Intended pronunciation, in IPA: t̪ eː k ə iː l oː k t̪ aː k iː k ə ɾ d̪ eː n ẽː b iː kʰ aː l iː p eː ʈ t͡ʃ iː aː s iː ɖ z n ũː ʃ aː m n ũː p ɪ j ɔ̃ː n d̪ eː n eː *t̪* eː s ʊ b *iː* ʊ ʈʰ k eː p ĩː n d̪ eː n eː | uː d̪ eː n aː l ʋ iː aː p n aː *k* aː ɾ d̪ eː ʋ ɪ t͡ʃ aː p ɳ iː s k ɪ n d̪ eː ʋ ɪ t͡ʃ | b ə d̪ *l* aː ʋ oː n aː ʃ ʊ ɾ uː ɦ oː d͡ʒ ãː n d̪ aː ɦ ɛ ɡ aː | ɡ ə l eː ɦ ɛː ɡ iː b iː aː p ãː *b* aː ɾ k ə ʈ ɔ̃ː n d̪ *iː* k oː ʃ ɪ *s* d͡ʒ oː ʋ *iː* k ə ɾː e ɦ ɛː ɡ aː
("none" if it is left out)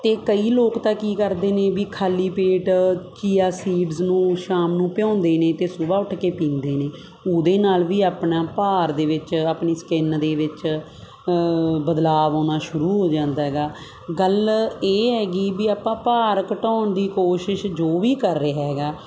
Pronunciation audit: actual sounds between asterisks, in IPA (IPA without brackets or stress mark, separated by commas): t̪, aː, p, l, p, iː, ʃ, iː